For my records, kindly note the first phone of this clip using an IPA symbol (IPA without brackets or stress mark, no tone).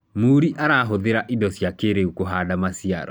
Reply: m